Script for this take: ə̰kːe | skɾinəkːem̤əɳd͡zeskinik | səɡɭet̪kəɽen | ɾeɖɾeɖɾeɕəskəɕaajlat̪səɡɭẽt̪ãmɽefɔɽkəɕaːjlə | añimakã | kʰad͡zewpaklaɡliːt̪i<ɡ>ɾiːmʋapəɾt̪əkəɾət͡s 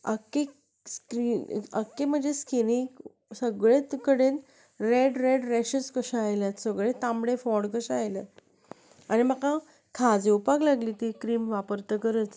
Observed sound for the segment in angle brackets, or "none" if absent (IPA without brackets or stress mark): k